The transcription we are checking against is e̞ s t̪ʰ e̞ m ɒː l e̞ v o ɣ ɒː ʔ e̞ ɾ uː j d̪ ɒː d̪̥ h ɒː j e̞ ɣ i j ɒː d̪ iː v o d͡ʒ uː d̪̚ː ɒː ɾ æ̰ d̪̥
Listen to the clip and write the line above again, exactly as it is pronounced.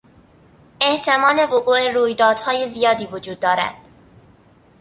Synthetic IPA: e̞ h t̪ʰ e̞ m ɒː l e̞ v o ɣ uː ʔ e̞ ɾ uː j d̪ ɒː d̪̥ h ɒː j e̞ z i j ɒː d̪ iː v o d͡ʒ uː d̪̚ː ɒː ɾ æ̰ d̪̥